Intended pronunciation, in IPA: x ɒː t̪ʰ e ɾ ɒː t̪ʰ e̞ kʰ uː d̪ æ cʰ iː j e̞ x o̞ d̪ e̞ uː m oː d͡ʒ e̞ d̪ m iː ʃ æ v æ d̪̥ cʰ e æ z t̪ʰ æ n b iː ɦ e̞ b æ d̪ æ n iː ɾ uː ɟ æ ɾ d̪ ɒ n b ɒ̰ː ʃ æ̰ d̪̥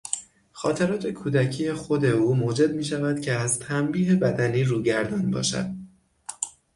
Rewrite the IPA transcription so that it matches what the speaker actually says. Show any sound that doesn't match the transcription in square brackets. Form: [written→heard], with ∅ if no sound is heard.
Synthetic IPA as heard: x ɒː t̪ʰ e ɾ ɒː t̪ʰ e̞ kʰ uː d̪ æ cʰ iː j e̞ x o̞ d̪ e̞ uː m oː d͡ʒ e̞ d̪ m iː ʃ æ v æ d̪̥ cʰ e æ z t̪ʰ æ [n→m] b iː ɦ e̞ b æ d̪ æ n iː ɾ uː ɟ æ ɾ d̪ ɒ n b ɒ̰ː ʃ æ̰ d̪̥